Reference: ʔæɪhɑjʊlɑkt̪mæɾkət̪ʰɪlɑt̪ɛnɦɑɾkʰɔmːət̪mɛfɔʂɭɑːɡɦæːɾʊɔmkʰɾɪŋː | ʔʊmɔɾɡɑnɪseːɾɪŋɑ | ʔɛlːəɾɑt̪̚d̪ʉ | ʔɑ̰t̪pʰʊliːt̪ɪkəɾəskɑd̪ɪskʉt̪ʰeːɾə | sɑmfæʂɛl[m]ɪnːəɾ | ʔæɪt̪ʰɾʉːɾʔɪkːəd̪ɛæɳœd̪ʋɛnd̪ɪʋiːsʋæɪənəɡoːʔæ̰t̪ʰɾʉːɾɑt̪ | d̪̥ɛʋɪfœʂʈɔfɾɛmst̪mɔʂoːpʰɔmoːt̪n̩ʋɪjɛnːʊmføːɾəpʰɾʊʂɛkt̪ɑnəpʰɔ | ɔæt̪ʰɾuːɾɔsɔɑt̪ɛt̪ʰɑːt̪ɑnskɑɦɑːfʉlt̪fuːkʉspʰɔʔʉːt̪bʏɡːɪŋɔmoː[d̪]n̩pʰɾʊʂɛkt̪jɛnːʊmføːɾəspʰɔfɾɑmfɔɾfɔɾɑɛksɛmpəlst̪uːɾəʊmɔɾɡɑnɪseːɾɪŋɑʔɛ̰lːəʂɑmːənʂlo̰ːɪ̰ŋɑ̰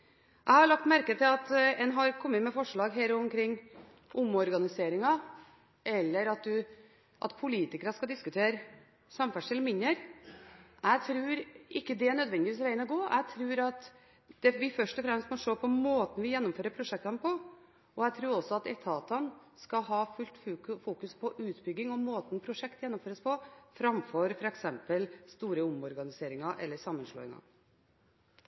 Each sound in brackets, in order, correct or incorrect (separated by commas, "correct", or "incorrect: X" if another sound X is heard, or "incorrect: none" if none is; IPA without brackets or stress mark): correct, incorrect: t̪